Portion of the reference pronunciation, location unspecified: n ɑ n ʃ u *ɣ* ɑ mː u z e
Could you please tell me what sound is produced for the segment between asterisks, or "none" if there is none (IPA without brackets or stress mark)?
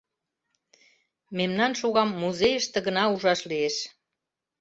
ɣ